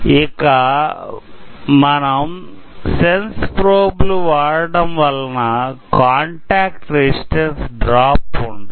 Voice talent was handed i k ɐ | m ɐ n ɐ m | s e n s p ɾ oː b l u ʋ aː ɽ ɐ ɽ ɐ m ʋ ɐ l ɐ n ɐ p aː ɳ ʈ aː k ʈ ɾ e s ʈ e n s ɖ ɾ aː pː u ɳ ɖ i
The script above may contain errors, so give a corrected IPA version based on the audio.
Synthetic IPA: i k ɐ | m ɐ n ɐ m | s e n s p ɾ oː b l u ʋ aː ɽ ɐ ɽ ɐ m ʋ ɐ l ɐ n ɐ k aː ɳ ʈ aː k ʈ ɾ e s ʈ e n s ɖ ɾ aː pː u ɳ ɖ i

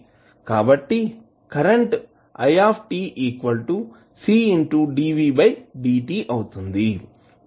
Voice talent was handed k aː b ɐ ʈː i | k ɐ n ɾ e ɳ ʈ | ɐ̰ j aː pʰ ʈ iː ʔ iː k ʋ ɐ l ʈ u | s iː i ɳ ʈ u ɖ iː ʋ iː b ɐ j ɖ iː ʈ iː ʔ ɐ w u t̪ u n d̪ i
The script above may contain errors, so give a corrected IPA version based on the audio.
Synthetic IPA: k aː b ɐ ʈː i | k ɐ ɾ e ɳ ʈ | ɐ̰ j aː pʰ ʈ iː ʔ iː k ʋ ɐ l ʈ u | s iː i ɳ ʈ u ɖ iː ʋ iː b ɐ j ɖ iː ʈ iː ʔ ɐ w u t̪ u n d̪ i

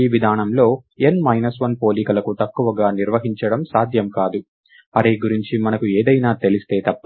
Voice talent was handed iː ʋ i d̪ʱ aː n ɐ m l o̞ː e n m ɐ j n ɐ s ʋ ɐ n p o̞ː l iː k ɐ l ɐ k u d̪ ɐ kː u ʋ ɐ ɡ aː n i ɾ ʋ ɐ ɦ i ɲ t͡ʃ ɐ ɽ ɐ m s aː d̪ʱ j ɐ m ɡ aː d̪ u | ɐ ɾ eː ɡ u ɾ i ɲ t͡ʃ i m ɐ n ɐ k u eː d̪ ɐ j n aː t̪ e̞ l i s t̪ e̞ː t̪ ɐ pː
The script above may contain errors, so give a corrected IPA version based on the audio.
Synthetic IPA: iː ʋ i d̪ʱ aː n ɐ m l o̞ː e n m ɐ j n ɐ s ʋ ɐ n p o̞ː l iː k ɐ l ɐ k u t̪ ɐ kː u ʋ ɐ ɡ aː n i ɾ ʋ ɐ ɦ i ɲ t͡ʃ ɐ ɽ ɐ m s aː d̪ʱ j ɐ m k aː d̪ u | ɐ ɾ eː ɡ u ɾ i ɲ t͡ʃ i m ɐ n ɐ k u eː d̪ ɐ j n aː t̪ e̞ l i s t̪ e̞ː t̪ ɐ pː

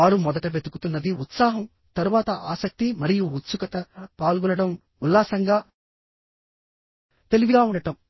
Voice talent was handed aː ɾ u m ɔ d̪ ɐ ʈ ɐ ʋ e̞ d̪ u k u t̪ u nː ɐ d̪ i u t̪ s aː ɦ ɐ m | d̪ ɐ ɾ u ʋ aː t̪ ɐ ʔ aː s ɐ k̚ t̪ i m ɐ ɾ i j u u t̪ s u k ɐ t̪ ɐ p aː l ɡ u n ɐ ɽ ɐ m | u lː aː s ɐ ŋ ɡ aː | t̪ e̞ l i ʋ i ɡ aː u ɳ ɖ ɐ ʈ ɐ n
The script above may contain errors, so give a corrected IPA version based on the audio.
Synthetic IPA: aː ɾ u m ɔ d̪ ɐ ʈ ɐ ʋ e̞ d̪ u k u t̪ u nː ɐ d̪ i u t̪ s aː ɦ ɐ m | t̪ ɐ ɾ u ʋ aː t̪ ɐ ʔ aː s ɐ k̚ t̪ i m ɐ ɾ i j u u t̪ s u k ɐ t̪ ɐ p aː l ɡ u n ɐ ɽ ɐ m | u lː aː s ɐ ŋ ɡ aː | t̪ e̞ l i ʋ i ɡ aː u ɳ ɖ ɐ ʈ ɐ m

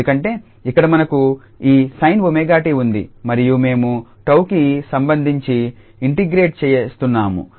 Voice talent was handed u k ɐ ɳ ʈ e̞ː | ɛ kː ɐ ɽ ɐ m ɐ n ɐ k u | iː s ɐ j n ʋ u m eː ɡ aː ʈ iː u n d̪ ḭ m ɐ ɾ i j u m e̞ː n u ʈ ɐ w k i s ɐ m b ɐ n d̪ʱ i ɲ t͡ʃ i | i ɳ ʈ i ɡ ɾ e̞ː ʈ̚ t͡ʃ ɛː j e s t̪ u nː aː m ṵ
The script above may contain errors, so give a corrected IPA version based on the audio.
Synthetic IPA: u k ɐ ɳ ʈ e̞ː | i kː ɐ ɽ ɐ m ɐ n ɐ k u | iː s ɐ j n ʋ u m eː ɡ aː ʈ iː u n d̪ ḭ m ɐ ɾ i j u m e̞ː m u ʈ ɐ w k i s ɐ m b ɐ n d̪ʱ i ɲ t͡ʃ i | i ɳ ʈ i ɡ ɾ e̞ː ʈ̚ t͡ʃ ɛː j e s t̪ u nː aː m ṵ

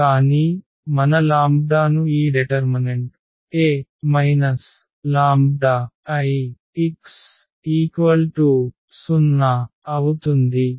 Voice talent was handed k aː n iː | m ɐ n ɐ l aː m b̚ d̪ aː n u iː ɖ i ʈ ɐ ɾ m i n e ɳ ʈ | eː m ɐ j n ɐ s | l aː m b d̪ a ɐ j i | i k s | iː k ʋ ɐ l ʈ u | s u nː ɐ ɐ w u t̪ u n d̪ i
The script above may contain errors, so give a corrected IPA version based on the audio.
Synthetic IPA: k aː n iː | m ɐ n ɐ l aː m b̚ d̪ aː n u iː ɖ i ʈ ɐ ɾ m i n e ɳ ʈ | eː m ɐ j n ɐ s | l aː m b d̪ a ɐ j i | i k s | iː k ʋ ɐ l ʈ u | s u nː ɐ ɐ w u t̪ u n d̪ i

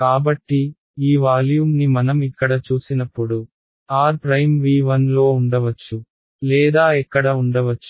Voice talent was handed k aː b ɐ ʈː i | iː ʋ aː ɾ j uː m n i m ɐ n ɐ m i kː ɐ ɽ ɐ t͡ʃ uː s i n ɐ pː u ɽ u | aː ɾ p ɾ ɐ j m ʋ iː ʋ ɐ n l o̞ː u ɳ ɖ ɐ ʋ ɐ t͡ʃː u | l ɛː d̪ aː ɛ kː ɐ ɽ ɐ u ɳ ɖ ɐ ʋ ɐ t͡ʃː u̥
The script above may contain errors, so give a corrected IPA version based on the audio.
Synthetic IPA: k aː b ɐ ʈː i | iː ʋ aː l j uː m n i m ɐ n ɐ m i kː ɐ ɽ ɐ t͡ʃ uː s i n ɐ pː u ɽ u | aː ɾ p ɾ ɐ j m ʋ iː ʋ ɐ n l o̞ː u ɳ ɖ ɐ ʋ ɐ t͡ʃː u | l ɛː d̪ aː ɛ kː ɐ ɽ ɐ u ɳ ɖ ɐ ʋ ɐ t͡ʃː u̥

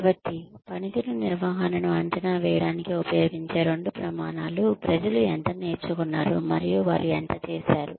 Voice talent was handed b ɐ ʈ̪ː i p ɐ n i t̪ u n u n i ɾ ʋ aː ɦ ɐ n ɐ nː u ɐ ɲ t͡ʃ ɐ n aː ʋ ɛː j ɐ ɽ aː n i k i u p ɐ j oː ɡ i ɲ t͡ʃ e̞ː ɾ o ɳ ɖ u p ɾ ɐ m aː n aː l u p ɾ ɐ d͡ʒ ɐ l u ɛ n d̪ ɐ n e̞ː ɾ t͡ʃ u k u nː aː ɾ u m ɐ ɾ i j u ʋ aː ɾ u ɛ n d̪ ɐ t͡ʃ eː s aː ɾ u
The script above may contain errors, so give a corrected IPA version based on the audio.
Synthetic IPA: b ɐ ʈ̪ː i p ɐ n i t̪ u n u n i ɾ ʋ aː ɦ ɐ n ɐ n u ɐ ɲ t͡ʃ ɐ n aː ʋ ɛː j ɐ ɽ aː n i k i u p ɐ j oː ɡ i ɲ t͡ʃ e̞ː ɾ o ɳ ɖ u p ɾ ɐ m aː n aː l u p ɾ ɐ d͡ʒ ɐ l u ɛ n t̪ ɐ n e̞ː ɾ t͡ʃ u k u nː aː ɾ u m ɐ ɾ i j u ʋ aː ɾ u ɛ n t̪ ɐ t͡ʃ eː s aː ɾ u

